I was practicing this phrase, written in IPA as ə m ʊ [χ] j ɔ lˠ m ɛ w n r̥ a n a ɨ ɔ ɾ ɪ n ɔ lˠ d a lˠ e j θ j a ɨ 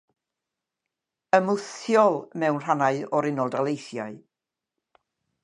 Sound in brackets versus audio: incorrect: θ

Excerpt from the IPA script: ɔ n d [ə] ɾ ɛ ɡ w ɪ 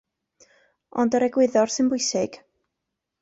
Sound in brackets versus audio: correct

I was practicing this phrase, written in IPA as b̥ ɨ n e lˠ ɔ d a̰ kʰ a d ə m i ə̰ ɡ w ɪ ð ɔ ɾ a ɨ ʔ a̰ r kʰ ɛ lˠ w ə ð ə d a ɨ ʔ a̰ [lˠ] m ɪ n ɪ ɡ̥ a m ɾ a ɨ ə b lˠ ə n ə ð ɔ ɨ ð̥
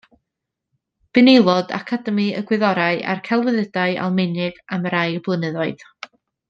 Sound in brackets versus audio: correct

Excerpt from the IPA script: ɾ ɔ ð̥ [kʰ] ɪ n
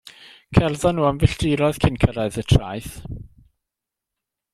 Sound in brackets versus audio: correct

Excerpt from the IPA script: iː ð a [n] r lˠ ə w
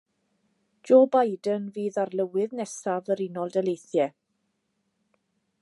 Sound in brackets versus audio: incorrect: none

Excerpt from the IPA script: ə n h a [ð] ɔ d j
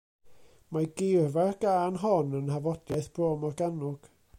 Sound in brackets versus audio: incorrect: v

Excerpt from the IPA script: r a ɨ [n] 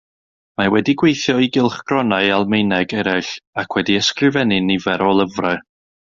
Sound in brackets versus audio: incorrect: none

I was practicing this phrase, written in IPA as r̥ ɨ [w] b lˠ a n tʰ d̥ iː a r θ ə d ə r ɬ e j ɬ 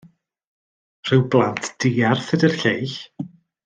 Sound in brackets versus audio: correct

